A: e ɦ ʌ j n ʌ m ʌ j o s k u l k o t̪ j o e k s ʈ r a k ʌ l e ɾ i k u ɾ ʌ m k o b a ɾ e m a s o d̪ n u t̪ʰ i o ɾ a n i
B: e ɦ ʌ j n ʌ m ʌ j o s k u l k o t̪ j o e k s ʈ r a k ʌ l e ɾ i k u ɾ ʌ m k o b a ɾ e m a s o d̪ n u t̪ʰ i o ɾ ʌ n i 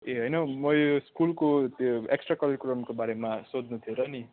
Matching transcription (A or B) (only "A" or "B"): B